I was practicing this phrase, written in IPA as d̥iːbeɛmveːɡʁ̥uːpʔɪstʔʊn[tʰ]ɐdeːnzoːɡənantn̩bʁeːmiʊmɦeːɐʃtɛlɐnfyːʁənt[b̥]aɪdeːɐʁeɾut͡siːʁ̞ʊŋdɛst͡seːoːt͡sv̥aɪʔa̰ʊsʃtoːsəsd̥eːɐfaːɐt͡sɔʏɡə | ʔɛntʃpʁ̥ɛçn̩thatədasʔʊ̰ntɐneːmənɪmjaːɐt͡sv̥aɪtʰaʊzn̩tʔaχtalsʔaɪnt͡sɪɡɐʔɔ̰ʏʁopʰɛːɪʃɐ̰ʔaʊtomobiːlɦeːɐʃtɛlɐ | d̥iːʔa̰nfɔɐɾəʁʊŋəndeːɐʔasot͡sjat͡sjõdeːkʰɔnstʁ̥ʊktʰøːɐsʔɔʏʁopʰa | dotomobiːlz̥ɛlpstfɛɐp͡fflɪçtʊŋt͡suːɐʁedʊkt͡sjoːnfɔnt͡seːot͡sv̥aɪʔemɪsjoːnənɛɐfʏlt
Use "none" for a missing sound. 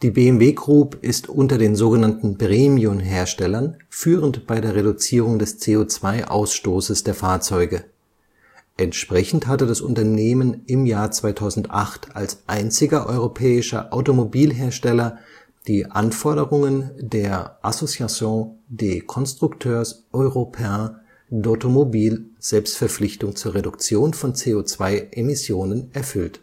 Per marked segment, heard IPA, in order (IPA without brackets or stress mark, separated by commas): t, b̥